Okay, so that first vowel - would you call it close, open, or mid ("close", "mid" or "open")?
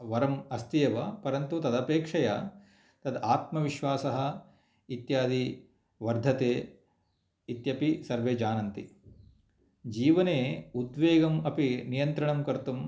open